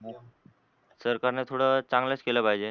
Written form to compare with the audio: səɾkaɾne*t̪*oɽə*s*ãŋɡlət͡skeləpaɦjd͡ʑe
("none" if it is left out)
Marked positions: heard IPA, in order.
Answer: t̪ʰ, t͡s

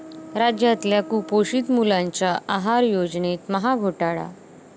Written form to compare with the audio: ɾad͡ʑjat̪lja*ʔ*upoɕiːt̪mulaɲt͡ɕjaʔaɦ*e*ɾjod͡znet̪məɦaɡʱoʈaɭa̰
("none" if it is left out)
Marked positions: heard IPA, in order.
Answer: k, a

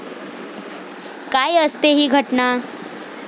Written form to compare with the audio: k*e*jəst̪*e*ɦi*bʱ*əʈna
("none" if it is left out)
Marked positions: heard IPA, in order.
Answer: a, e, ɡʱ

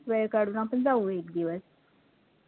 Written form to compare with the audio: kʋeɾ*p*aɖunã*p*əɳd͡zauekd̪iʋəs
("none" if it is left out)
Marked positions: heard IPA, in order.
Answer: k, p

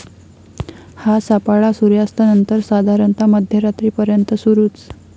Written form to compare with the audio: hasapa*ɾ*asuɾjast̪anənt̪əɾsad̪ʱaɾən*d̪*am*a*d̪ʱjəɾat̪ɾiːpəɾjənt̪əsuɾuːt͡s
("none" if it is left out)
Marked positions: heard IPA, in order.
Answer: ɭ, t̪, ə

